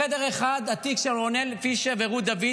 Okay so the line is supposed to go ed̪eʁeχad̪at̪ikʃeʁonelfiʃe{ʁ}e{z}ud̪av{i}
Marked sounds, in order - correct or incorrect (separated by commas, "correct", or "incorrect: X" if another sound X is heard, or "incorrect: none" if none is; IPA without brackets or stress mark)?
incorrect: v, incorrect: ʁ, correct